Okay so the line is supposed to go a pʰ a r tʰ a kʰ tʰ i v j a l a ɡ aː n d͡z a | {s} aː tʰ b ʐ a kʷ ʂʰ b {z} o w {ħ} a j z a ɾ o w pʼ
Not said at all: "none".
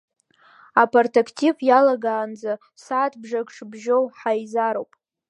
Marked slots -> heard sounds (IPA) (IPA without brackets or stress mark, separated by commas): s, ʒ, ħ